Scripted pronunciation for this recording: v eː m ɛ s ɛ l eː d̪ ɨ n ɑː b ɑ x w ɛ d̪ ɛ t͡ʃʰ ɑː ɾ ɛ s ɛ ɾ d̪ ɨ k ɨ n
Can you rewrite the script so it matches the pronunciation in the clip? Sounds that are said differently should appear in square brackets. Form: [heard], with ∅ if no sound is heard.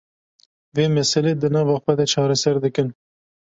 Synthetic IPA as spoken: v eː m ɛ s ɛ l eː d̪ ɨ n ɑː [v] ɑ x w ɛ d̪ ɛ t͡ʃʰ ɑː ɾ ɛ s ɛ ɾ d̪ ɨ k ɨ n